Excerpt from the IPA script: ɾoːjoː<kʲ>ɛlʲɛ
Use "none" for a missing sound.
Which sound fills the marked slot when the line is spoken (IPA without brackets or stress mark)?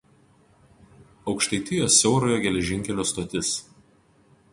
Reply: ɡʲ